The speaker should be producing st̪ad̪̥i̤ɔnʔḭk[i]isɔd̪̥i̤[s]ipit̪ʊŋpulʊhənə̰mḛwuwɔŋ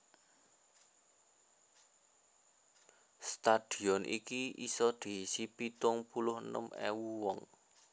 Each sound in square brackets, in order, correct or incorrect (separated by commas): correct, correct